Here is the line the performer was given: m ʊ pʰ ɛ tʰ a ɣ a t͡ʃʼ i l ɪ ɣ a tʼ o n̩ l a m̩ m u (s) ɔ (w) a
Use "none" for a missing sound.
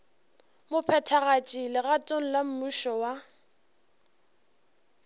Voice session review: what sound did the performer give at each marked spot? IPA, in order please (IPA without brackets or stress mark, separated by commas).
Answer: ʃ, w